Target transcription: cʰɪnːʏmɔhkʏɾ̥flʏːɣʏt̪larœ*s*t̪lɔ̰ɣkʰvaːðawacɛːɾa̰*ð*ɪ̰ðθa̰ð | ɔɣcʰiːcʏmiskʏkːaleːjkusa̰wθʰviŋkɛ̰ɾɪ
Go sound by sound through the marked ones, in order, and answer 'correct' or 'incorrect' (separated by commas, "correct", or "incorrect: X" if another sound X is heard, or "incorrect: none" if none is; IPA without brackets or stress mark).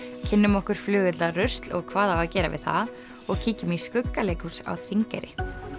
correct, incorrect: v